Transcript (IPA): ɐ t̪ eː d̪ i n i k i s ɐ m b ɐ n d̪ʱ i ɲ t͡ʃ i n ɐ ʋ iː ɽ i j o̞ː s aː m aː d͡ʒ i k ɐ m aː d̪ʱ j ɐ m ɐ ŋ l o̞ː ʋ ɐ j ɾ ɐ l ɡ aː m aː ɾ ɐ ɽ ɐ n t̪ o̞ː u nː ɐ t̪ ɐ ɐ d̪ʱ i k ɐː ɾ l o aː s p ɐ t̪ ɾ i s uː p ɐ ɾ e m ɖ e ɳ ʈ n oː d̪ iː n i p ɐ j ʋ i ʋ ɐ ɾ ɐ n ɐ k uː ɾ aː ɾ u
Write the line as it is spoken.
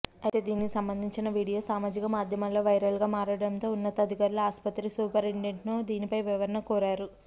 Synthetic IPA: ɐ t̪ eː d̪ iː n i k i s ɐ m b ɐ n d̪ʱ i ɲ t͡ʃ i n ɐ ʋ iː ɽ i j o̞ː s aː m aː d͡ʒ i k ɐ m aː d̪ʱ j ɐ m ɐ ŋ l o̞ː ʋ ɐ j ɾ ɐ l ɡ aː m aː ɾ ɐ ɽ ɐ n t̪ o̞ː u nː ɐ t̪ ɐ ɐ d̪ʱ i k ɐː ɾ l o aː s p ɐ t̪ ɾ i s uː p ɐ ɾ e ɳ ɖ e ɳ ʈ n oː d̪ iː n i p ɐ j ʋ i ʋ ɐ ɾ ɐ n ɐ k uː ɾ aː ɾ u